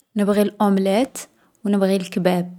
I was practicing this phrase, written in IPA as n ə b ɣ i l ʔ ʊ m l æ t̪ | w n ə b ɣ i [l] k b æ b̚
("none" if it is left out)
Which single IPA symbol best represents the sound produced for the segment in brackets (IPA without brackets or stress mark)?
l